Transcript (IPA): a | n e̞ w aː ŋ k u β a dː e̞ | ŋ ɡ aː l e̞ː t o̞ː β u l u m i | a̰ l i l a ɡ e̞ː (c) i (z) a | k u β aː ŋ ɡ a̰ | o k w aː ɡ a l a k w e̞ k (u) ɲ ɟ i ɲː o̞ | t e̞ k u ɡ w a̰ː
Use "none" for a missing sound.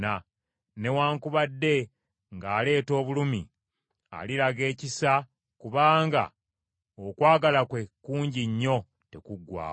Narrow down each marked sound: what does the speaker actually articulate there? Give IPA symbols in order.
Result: c, s, uː

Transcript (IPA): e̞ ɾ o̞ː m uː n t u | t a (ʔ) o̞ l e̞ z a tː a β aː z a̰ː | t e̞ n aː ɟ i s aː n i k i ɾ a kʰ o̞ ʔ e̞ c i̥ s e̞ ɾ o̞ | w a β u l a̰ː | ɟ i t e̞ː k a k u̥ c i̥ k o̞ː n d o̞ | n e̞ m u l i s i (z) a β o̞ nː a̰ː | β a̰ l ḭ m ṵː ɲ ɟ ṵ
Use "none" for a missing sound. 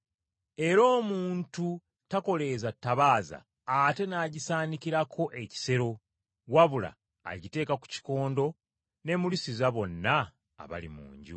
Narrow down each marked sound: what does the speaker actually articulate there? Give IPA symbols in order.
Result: k, z

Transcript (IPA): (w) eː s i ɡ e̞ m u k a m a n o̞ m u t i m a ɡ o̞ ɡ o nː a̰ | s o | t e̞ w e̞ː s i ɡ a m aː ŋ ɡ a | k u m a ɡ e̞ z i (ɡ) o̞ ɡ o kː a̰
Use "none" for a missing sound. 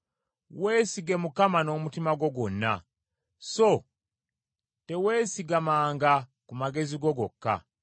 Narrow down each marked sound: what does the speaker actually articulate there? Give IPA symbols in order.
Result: w, ɡ

